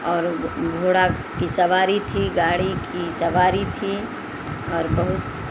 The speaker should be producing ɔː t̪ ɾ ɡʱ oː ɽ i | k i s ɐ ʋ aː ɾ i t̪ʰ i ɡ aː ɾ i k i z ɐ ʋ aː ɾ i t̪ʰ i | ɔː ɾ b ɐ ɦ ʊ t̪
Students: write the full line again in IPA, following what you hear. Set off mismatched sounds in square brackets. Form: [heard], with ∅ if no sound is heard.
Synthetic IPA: ɔː [∅] ɾ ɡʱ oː ɽ [a] | k i s ɐ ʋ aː ɾ i t̪ʰ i ɡ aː [ɽ] i k i [s] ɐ ʋ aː ɾ i t̪ʰ i | ɔː ɾ b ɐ ɦ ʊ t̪